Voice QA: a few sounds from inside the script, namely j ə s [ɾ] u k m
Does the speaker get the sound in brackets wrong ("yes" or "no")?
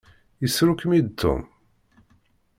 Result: no